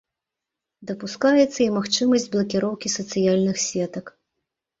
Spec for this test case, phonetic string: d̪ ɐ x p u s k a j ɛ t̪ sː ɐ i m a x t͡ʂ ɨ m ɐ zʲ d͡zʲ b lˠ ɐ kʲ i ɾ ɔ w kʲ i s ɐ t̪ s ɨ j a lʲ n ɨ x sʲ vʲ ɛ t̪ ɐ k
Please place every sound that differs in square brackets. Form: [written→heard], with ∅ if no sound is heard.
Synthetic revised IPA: d̪ ɐ [x→∅] p u s k a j ɛ t̪ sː ɐ i m a x t͡ʂ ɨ m ɐ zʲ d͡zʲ b lˠ ɐ kʲ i ɾ ɔ w kʲ i s ɐ t̪ s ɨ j a lʲ n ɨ x sʲ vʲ ɛ t̪ ɐ k